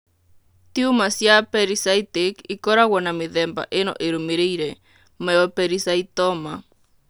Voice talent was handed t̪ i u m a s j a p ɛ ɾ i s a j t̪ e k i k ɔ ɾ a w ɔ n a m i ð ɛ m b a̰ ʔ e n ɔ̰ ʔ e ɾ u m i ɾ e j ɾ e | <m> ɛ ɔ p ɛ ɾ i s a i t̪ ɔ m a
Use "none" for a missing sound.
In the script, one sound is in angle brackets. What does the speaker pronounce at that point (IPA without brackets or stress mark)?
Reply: m